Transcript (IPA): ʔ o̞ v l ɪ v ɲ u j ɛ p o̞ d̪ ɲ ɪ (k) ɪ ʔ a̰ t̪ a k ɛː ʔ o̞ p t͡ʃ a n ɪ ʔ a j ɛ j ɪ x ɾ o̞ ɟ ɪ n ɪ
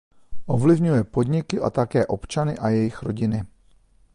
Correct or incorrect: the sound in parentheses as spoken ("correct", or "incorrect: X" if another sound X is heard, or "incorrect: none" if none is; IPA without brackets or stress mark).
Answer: correct